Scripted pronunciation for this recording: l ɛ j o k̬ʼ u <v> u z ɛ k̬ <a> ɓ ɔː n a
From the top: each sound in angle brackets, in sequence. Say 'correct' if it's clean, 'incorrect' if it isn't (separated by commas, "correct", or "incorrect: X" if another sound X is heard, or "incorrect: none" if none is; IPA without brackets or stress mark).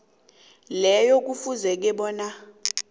incorrect: f, incorrect: ɛ